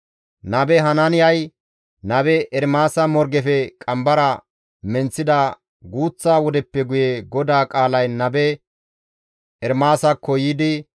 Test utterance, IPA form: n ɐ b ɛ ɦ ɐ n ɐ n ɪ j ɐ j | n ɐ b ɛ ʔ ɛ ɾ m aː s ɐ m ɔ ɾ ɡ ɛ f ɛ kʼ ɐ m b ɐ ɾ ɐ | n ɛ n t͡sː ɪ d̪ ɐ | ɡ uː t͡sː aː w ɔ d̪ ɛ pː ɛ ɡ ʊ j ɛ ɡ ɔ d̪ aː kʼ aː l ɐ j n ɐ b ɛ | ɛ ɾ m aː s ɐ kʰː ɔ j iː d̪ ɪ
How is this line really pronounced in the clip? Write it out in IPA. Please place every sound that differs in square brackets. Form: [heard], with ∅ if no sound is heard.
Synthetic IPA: n ɐ b ɛ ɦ ɐ n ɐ n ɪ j ɐ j | n ɐ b ɛ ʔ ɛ ɾ m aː s ɐ m ɔ ɾ ɡ ɛ f ɛ kʼ ɐ m b ɐ ɾ ɐ | [m] ɛ n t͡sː ɪ d̪ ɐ | ɡ uː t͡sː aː w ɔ d̪ ɛ pː ɛ ɡ ʊ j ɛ ɡ ɔ d̪ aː kʼ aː l ɐ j n ɐ b ɛ | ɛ ɾ m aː s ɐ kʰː ɔ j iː d̪ ɪ

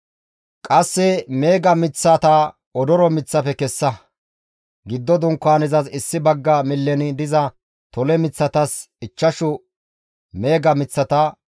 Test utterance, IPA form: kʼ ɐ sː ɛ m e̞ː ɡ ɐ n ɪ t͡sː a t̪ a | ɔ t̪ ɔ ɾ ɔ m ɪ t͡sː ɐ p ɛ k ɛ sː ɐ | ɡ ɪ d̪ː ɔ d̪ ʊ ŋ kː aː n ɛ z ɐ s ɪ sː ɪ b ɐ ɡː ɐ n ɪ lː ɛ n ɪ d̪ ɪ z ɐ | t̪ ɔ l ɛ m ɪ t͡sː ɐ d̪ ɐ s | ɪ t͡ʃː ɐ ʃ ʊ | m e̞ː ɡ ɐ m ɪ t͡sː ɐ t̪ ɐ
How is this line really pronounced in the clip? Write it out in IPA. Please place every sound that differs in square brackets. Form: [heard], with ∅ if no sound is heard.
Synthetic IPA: kʼ ɐ sː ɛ m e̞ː ɡ ɐ [m] ɪ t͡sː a t̪ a | ɔ [d̪] ɔ ɾ ɔ m ɪ t͡sː ɐ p ɛ k ɛ sː ɐ | ɡ ɪ d̪ː ɔ d̪ ʊ ŋ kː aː n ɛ z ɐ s ɪ sː ɪ b ɐ ɡː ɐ [m] ɪ lː ɛ n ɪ d̪ ɪ z ɐ | t̪ ɔ l ɛ m ɪ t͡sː ɐ [t̪] ɐ s | ɪ t͡ʃː ɐ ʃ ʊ | m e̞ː ɡ ɐ m ɪ t͡sː ɐ t̪ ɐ

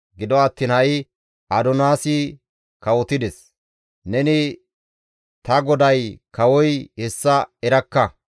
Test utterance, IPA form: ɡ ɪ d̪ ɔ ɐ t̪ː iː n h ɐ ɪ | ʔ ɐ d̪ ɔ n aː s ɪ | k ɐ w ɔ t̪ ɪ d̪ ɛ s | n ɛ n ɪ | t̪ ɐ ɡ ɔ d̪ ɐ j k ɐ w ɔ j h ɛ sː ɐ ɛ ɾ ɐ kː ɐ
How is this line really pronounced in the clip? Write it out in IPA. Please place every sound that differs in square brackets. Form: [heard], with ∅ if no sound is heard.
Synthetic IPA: ɡ ɪ d̪ ɔ ɐ t̪ː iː n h ɐ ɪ | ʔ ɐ d̪ ɔ n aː s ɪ | k ɐ w ɔ t̪ ɪ d̪ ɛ s | n ɛ n ɪ | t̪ ɐ ɡ ɔ d̪ ɐ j k ɐ w ɔ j h ɛ sː ɐ ɛ ɾ ɐ kː ɐ

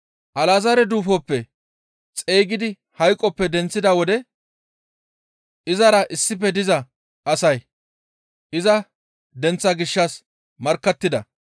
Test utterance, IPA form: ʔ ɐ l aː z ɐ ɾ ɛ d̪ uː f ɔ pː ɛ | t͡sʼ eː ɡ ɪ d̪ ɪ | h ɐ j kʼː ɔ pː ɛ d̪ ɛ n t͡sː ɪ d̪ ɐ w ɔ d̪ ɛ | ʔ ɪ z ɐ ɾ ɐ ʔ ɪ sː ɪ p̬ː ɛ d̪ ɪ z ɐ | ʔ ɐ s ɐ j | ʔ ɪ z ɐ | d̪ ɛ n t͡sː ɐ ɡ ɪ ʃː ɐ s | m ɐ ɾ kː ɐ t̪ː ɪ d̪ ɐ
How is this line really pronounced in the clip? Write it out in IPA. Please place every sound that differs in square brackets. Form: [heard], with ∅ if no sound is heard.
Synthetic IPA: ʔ ɐ l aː z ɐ ɾ ɛ d̪ uː f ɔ pː ɛ | t͡sʼ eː ɡ ɪ d̪ ɪ | h ɐ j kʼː ɔ pː ɛ d̪ ɛ n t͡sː ɪ d̪ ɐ w ɔ d̪ ɛ | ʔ ɪ z ɐ ɾ ɐ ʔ ɪ sː ɪ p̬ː ɛ d̪ ɪ z ɐ | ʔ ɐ s ɐ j | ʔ ɪ z ɐ | d̪ ɛ n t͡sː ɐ ɡ ɪ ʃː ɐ s | m ɐ ɾ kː ɐ t̪ː ɪ d̪ ɐ

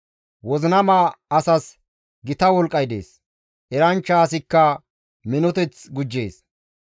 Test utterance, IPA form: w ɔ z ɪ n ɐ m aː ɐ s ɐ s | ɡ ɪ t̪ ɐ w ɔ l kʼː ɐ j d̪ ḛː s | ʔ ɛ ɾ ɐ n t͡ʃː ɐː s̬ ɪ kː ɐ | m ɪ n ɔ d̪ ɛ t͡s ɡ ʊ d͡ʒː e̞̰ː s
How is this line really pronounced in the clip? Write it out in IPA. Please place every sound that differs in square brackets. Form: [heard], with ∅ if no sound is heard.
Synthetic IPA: w ɔ z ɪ n ɐ m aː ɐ s ɐ s | ɡ ɪ t̪ ɐ w ɔ l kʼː ɐ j d̪ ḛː s | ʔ ɛ ɾ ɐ n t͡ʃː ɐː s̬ ɪ kː ɐ | m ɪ n ɔ [t̪] ɛ t͡s ɡ ʊ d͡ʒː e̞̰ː s

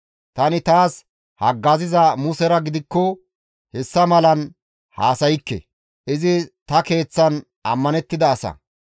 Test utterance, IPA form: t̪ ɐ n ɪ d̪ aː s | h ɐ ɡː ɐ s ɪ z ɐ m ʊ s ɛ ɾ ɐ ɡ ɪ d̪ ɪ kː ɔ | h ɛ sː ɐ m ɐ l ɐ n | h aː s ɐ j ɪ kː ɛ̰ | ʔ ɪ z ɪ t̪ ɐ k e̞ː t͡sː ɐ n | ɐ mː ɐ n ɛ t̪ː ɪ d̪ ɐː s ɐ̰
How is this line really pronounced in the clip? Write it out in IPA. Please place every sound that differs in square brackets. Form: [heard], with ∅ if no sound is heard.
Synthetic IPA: t̪ ɐ n ɪ [t̪] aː s | h ɐ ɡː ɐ [z] ɪ z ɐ m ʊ s ɛ ɾ ɐ ɡ ɪ d̪ ɪ kː ɔ | h ɛ sː ɐ m ɐ l ɐ n | h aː s ɐ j ɪ kː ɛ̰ | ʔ ɪ z ɪ t̪ ɐ k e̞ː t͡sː ɐ n | ɐ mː ɐ n ɛ t̪ː ɪ d̪ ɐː s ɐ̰

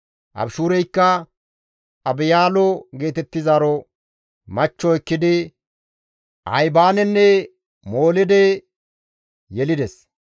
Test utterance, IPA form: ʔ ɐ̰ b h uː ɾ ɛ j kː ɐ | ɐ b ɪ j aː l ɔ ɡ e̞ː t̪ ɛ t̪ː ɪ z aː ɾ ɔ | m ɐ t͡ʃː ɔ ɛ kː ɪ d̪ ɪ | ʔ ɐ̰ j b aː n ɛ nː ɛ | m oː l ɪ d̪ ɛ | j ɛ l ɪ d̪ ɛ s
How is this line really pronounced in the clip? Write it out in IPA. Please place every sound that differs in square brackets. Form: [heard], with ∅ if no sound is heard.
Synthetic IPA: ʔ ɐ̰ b [ʃ] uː ɾ ɛ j kː ɐ | ɐ b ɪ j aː l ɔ ɡ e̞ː t̪ ɛ t̪ː ɪ z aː ɾ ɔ | m ɐ t͡ʃː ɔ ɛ kː ɪ d̪ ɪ | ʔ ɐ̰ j b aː n ɛ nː ɛ | m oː l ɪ d̪ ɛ | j ɛ l ɪ d̪ ɛ s

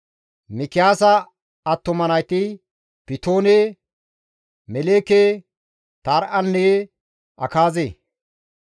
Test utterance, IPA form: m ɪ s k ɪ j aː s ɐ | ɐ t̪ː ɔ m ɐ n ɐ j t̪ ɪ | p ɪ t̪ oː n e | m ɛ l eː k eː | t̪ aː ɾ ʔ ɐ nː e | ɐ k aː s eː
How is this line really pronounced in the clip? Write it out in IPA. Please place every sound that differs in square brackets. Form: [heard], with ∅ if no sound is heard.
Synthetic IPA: m ɪ [∅] k ɪ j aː s ɐ | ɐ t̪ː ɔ m ɐ n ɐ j t̪ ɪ | p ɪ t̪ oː n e | m ɛ l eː k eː | t̪ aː ɾ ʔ ɐ nː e | ɐ k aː [z] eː

